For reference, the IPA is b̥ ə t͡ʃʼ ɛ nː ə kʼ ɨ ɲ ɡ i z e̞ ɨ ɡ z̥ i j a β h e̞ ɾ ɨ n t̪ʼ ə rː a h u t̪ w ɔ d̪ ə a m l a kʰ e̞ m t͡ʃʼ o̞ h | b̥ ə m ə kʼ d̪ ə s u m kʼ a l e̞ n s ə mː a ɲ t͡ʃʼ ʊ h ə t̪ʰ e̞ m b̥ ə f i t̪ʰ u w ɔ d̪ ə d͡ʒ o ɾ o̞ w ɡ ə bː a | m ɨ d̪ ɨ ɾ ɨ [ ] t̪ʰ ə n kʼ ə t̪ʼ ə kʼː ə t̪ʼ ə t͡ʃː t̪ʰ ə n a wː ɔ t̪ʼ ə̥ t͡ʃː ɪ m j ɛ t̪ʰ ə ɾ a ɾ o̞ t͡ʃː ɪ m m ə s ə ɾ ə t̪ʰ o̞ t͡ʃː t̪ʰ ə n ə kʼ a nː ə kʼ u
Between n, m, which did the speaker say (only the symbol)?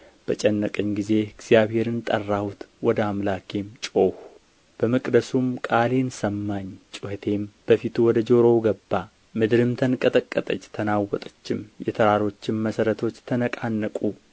m